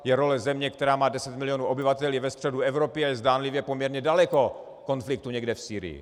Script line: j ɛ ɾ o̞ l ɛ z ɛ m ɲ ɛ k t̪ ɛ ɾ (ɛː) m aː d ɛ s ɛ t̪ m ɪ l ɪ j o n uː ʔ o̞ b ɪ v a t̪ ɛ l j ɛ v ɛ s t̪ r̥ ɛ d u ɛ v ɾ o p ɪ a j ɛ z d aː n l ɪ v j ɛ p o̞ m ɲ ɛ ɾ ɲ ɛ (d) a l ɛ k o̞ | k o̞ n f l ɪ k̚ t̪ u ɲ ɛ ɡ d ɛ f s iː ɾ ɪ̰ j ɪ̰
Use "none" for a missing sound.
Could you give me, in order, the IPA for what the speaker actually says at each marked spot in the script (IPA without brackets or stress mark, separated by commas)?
aː, d